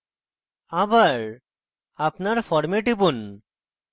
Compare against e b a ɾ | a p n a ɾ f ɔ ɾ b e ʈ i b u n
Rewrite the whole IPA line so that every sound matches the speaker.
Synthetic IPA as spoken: a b a ɾ | a p n a ɾ f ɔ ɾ m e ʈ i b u n

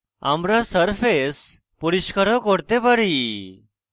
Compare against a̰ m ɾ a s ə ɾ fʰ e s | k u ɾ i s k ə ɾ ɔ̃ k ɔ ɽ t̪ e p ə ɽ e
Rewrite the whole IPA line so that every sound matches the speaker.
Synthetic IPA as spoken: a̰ m ɾ a s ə ɾ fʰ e s | p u ɾ i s k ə ɾ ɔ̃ k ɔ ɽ t̪ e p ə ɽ i

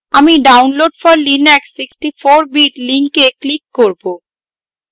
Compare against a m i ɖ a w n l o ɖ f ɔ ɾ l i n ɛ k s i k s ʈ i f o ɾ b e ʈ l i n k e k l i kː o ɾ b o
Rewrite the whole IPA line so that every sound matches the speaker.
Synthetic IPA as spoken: a m i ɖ a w n l o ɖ f ɔ ɾ l i n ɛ k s i k s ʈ i f o ɾ b i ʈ l i ŋ k e k l i kː o ɾ b o

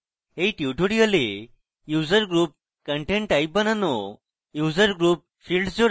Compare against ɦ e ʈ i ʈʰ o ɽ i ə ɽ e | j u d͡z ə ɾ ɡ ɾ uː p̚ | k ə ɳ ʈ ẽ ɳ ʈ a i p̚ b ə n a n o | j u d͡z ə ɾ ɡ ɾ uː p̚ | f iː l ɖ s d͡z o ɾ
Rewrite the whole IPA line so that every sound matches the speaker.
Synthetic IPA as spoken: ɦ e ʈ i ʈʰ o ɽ i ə l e | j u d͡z ə ɾ ɡ ɾ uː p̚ | k ə ɳ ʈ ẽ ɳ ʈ a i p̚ b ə n a n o | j u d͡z ə ɾ ɡ ɾ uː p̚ | f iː l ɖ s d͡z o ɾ

